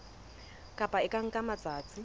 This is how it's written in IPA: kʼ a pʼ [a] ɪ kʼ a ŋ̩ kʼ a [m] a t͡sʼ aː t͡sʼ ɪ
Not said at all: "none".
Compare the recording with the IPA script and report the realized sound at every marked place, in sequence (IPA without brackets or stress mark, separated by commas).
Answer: a, m